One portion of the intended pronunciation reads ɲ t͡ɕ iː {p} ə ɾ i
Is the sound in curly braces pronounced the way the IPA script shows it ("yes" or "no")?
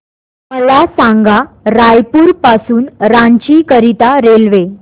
no